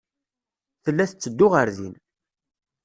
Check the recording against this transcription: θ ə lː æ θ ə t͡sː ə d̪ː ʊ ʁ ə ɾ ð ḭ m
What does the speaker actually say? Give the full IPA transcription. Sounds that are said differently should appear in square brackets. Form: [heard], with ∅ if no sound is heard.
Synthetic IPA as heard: θ ə lː æ θ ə t͡sː ə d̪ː ʊ ʁ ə ɾ ð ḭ [n]